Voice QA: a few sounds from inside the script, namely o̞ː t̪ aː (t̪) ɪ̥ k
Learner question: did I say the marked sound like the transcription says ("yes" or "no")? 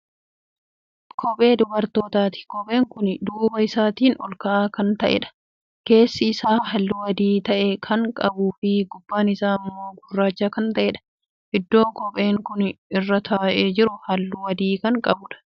yes